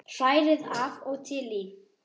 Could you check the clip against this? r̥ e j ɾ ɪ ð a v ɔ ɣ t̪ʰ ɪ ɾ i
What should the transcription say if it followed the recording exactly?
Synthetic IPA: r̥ a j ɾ ɪ ð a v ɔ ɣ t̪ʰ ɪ l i

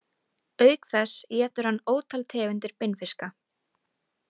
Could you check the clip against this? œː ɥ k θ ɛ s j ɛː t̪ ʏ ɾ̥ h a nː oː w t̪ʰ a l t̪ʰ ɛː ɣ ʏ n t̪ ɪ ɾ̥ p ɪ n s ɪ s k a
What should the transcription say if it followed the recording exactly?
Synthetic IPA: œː ɥ k θ ɛ s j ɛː t̪ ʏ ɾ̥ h a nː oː w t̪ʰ a l t̪ʰ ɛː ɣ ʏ n t̪ ɪ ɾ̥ p ɪ n f ɪ s k a

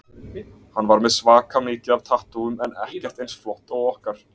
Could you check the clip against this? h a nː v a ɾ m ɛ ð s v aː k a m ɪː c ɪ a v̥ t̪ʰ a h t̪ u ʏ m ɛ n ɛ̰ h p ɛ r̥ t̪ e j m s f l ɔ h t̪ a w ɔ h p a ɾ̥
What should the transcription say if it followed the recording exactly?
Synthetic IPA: h a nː v a ɾ m ɛ ð s v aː k a m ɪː c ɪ a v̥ t̪ʰ a h t̪ u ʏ m ɛ n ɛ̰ h c ɛ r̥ t̪ e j n s f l ɔ h t̪ a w ɔ h k a ɾ̥

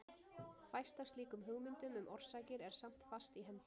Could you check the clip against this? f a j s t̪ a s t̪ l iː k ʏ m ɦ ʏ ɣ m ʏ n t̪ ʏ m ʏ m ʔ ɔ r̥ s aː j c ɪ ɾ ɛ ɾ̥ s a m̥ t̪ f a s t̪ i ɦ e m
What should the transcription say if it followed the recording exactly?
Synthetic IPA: f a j s t̪ a s t̪ l iː k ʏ m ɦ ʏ ɣ m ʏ n t̪ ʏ m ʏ m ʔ ɔ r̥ s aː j c ɪ ɾ ɛ ɾ̥ s a m̥ t̪ f a s t̪ i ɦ ɛ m

